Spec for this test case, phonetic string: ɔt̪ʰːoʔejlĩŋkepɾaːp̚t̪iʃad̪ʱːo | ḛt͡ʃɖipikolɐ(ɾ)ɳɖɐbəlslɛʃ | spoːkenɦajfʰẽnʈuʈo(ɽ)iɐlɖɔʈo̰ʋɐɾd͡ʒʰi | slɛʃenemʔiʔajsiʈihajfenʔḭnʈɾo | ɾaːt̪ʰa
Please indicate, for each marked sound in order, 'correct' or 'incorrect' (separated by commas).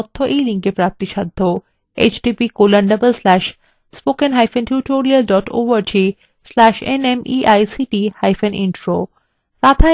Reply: incorrect, incorrect